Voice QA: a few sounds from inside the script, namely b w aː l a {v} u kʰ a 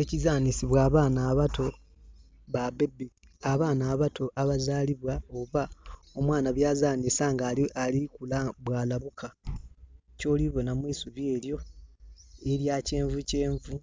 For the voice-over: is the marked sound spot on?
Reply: no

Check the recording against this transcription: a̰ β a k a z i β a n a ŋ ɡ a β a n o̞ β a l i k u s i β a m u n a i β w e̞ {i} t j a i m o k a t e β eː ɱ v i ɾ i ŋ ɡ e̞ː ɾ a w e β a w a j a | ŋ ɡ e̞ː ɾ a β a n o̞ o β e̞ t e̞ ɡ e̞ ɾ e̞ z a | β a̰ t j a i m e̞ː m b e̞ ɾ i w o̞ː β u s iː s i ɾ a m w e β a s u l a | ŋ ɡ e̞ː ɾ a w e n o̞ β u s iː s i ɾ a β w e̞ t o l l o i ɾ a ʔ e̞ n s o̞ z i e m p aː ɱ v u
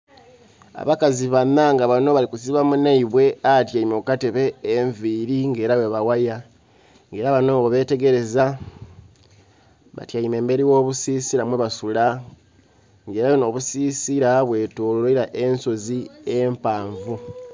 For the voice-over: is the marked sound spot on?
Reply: no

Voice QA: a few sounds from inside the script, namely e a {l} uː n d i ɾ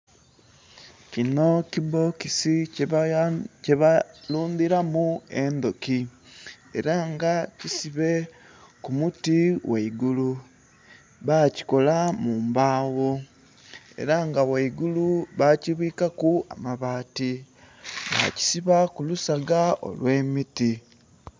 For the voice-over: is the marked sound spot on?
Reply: yes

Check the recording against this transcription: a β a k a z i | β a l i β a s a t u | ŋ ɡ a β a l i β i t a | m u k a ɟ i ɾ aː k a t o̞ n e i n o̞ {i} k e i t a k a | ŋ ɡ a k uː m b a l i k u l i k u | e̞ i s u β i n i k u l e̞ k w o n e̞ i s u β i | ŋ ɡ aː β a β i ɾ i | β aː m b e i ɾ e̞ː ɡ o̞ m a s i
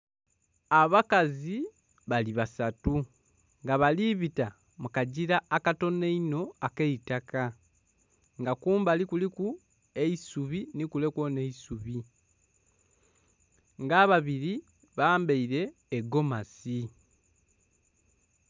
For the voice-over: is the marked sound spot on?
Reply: no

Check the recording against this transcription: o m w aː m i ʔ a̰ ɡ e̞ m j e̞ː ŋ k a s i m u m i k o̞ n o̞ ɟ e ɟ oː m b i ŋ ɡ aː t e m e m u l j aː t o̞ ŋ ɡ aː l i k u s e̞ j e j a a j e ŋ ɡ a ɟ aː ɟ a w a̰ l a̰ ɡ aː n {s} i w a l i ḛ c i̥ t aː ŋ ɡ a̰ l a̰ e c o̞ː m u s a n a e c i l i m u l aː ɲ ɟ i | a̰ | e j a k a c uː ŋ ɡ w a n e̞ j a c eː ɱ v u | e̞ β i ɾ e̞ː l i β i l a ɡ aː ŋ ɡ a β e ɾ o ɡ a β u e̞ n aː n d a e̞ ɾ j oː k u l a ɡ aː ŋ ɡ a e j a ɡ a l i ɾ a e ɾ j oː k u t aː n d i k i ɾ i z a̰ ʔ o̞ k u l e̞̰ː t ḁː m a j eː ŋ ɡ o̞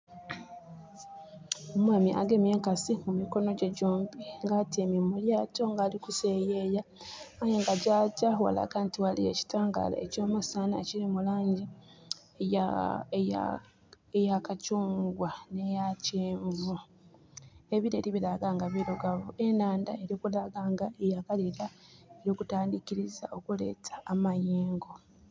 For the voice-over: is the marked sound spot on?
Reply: no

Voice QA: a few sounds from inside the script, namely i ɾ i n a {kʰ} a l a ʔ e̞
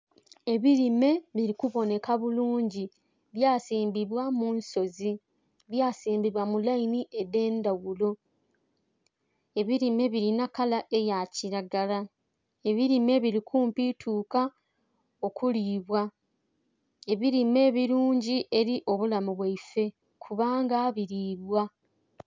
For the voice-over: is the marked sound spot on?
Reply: no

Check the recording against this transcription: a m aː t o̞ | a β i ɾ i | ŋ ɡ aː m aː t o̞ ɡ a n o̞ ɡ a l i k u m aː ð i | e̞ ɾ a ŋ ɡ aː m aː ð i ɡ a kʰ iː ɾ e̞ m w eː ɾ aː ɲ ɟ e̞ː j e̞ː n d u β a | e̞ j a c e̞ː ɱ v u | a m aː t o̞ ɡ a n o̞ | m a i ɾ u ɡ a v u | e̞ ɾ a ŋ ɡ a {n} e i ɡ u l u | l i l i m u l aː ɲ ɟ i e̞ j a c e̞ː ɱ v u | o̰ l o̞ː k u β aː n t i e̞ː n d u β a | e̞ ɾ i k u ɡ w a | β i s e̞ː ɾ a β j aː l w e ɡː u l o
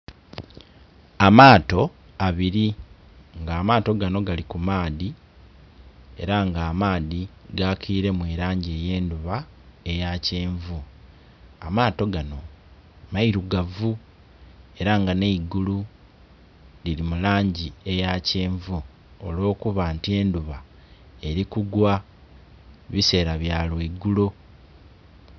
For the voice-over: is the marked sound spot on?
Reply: yes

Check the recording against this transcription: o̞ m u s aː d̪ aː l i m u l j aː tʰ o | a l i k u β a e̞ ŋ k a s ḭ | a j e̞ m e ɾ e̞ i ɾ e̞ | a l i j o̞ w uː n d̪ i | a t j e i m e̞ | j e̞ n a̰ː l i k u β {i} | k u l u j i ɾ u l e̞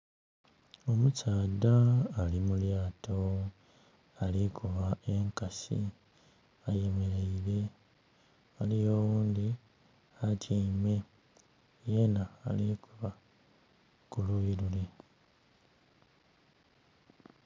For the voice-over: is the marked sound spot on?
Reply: no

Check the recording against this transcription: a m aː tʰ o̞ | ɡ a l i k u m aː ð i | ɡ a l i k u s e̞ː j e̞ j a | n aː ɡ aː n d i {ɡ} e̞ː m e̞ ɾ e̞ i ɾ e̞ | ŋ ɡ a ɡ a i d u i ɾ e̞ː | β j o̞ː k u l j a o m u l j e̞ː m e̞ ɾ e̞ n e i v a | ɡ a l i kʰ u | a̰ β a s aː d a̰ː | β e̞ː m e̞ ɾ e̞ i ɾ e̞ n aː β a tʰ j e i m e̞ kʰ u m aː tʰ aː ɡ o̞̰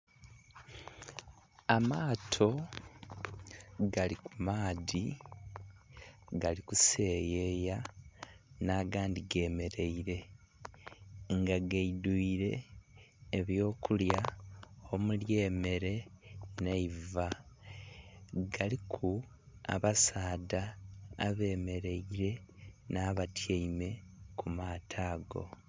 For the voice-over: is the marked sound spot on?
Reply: yes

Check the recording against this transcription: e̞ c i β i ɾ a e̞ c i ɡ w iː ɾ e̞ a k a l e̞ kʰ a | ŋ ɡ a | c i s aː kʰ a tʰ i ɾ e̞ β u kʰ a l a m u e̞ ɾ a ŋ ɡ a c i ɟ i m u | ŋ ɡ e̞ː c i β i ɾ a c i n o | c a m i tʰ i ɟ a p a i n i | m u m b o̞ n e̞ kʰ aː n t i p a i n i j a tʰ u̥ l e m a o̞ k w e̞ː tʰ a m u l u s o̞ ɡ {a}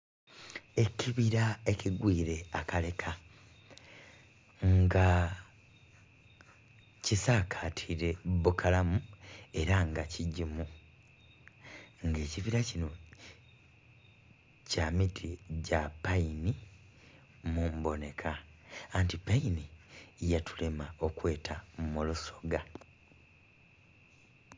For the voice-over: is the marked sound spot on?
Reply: yes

